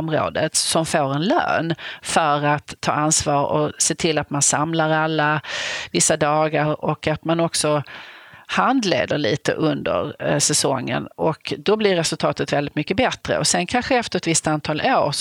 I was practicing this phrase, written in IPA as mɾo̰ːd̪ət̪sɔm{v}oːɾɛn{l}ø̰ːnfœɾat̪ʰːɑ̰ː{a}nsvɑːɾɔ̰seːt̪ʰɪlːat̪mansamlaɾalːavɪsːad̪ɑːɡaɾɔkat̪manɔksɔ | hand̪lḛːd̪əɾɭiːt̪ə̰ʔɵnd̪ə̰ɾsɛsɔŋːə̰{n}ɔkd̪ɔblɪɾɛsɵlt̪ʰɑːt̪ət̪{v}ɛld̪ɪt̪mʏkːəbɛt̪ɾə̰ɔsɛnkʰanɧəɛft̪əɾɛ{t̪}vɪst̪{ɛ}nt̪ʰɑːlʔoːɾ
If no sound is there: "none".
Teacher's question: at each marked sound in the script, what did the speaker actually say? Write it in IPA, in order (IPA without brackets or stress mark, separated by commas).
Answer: f, l, a, n, v, t̪, a